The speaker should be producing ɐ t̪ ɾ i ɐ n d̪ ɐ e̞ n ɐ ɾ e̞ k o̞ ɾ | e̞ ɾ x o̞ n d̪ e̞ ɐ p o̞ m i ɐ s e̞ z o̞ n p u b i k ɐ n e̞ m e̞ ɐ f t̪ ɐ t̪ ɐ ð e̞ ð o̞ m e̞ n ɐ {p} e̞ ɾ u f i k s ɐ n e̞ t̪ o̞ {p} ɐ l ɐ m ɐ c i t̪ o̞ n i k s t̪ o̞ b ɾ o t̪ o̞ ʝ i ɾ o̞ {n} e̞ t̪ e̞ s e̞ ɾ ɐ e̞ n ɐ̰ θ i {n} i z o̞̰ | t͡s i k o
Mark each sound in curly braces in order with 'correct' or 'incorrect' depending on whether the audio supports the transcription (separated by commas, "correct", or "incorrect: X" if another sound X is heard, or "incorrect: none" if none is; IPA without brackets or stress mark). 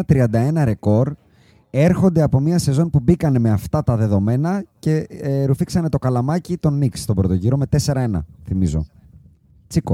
incorrect: c, incorrect: k, incorrect: m, incorrect: m